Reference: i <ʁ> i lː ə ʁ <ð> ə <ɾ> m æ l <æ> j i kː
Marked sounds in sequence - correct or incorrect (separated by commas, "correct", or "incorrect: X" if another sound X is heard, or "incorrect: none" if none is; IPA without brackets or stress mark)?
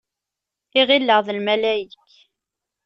correct, correct, incorrect: l, correct